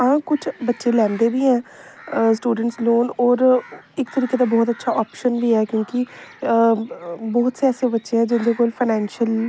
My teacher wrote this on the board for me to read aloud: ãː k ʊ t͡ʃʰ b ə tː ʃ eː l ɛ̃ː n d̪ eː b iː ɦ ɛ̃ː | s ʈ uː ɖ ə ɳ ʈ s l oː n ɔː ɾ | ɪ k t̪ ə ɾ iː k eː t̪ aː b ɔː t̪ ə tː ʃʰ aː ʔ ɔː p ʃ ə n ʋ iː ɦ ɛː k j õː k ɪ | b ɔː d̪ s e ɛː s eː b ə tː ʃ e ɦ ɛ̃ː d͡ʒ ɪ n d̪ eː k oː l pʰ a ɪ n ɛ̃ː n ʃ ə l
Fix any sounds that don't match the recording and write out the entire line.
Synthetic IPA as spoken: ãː k ʊ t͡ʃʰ b ə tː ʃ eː l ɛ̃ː n d̪ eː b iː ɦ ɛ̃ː | s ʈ uː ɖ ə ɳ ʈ s l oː n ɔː ɾ | ɪ k t̪ ə ɾ iː k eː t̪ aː b ɔː t̪ ə tː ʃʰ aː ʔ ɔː p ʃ ə n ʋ iː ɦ ɛː k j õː k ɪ | b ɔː t̪ s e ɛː s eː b ə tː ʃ e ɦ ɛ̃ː d͡ʒ ɪ n d̪ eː k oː l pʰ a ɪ n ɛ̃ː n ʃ ə l